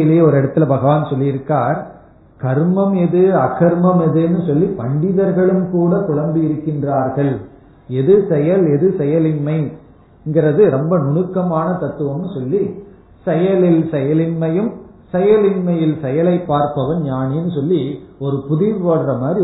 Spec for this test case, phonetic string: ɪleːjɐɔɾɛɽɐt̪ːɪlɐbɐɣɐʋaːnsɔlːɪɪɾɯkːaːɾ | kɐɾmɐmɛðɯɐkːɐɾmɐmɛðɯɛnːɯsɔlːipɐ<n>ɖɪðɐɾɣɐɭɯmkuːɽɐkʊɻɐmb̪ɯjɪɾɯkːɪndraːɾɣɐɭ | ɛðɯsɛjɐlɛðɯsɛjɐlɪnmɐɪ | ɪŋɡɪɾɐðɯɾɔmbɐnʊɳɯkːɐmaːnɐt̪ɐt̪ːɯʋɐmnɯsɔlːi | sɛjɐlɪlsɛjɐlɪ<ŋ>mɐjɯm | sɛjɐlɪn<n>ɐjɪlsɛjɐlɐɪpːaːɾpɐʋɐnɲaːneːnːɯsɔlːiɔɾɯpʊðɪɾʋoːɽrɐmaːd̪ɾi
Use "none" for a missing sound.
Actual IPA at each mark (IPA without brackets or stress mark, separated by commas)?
ɳ, n, m